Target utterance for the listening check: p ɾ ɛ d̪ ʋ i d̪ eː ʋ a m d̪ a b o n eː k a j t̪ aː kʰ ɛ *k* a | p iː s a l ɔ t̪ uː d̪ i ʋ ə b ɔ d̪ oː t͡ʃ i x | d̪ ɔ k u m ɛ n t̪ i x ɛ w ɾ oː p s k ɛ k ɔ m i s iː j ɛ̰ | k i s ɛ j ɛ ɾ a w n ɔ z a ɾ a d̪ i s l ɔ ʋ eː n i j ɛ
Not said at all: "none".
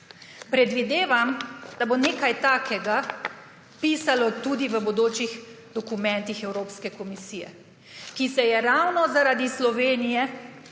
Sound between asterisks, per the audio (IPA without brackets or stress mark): ɡ